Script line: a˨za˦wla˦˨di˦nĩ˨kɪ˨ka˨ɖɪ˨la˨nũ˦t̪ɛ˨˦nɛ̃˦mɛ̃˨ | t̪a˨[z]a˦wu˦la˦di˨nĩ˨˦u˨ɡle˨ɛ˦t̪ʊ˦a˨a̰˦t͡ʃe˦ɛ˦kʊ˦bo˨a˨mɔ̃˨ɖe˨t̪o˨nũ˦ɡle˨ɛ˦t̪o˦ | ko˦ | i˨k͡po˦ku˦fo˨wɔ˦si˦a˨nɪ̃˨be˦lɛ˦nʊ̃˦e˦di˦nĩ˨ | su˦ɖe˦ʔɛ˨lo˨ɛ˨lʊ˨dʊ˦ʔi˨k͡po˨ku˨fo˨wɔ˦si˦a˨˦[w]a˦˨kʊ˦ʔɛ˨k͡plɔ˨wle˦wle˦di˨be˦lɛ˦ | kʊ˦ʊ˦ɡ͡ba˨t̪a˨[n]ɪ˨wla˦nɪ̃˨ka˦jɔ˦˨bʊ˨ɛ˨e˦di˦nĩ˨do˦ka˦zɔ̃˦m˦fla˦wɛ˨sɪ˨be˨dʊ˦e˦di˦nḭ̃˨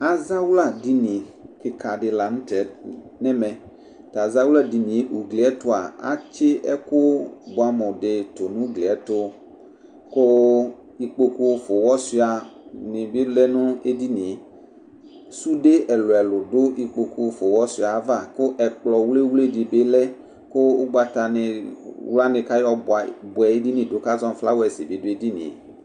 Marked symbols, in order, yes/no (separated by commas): yes, no, yes